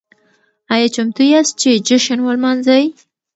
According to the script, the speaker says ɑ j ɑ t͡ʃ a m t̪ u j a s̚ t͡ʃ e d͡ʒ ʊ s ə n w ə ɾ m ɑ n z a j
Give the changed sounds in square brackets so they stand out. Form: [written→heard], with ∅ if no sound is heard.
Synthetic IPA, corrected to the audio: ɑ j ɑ t͡ʃ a m t̪ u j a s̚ t͡ʃ e d͡ʒ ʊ [s→ʃ] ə n w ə [ɾ→l] m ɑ n z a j